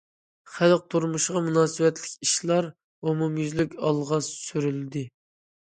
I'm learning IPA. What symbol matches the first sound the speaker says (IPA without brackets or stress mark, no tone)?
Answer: χ